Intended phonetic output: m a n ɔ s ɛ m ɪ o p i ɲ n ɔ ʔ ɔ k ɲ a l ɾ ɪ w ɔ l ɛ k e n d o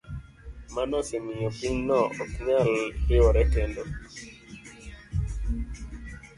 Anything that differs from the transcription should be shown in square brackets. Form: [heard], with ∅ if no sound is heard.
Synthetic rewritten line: m a n ɔ s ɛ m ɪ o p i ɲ n ɔ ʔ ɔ k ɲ a l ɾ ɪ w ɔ [ɾ] ɛ k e n d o